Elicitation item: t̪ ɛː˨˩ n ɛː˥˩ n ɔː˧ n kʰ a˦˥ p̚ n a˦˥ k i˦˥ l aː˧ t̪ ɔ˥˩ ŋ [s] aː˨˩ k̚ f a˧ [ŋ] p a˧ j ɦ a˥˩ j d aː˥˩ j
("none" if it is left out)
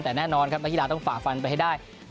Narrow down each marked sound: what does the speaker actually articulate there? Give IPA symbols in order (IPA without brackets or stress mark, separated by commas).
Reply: f, n